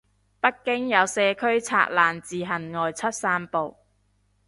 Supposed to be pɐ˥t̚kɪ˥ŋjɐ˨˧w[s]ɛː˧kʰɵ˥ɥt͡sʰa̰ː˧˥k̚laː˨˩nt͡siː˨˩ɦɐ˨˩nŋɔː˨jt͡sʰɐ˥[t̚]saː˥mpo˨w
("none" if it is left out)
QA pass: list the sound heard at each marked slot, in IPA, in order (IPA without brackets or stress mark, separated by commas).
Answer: s, t̚